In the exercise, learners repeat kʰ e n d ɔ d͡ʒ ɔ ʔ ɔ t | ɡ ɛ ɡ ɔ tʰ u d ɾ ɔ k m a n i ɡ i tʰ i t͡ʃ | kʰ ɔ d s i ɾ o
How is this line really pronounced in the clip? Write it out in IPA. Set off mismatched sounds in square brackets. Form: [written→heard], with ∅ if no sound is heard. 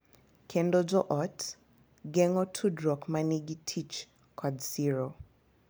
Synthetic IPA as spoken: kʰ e n d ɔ d͡ʒ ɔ ʔ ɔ t | ɡ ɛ [ɡ→ŋ] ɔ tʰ u d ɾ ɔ k m a n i ɡ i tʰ i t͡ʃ | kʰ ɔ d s i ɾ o